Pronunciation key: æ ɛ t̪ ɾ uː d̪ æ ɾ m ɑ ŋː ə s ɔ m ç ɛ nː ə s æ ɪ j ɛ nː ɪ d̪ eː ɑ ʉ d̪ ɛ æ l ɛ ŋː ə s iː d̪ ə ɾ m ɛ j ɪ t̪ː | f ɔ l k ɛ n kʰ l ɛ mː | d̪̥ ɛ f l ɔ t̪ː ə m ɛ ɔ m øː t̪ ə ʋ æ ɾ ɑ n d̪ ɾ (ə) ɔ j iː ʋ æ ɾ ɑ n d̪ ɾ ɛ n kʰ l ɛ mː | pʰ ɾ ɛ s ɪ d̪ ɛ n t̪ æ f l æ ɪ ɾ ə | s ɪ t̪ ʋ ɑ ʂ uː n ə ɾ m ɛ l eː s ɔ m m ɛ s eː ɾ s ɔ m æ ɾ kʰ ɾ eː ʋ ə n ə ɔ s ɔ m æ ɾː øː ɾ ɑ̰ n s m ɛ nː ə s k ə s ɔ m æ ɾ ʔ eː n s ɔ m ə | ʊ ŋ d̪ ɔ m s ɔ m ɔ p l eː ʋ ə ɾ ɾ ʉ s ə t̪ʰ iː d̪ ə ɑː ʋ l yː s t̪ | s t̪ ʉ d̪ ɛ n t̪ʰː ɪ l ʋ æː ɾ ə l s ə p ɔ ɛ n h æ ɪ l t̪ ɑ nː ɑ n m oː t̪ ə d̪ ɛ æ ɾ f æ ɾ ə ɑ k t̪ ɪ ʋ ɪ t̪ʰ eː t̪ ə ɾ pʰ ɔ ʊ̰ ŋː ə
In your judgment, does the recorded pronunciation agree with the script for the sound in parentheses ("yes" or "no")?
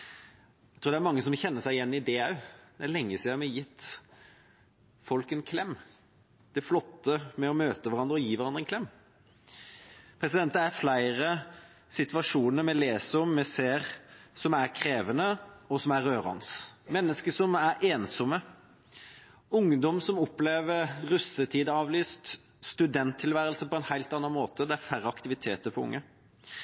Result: yes